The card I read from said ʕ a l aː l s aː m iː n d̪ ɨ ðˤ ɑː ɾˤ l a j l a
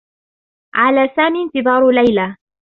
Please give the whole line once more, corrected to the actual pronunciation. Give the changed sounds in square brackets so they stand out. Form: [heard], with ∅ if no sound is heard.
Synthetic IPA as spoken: ʕ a l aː [∅] s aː m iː n [t̪] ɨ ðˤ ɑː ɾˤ l a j l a